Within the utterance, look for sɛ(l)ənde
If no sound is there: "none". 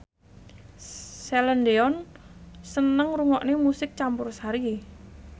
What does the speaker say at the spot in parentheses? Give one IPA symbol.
l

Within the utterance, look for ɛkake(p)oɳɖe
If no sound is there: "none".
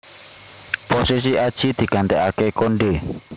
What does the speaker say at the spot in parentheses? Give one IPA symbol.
k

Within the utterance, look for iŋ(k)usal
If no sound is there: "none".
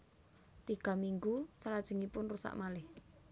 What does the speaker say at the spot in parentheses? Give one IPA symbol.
ɡ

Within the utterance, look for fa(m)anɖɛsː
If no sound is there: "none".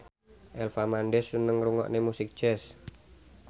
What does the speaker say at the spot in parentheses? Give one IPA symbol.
m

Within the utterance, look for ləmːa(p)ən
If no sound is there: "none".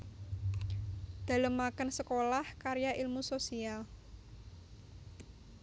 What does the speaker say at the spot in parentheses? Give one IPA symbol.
k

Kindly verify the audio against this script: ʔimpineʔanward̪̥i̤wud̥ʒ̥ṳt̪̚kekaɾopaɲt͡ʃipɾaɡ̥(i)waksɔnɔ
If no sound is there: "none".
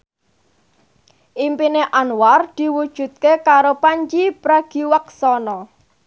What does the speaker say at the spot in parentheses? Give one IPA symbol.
i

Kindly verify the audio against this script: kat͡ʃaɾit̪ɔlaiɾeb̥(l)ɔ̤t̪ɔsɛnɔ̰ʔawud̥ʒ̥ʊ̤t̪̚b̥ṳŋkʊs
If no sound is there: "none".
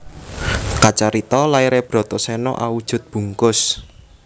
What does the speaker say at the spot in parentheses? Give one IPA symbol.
ɾ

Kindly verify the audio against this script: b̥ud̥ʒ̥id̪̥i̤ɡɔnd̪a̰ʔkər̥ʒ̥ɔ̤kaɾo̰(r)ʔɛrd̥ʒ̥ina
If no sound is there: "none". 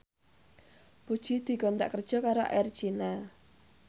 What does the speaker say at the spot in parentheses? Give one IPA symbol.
none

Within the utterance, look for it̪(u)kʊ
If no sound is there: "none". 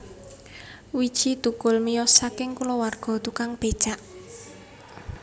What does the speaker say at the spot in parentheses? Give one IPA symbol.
u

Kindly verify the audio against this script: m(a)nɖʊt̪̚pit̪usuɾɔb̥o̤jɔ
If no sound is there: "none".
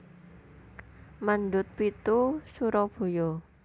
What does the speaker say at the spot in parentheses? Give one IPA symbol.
a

